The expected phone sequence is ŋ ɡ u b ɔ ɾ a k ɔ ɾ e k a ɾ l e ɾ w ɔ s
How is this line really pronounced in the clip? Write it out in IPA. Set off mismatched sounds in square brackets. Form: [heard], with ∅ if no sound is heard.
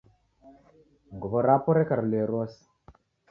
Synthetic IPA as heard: ŋ ɡ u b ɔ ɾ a [p] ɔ ɾ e k a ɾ l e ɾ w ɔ s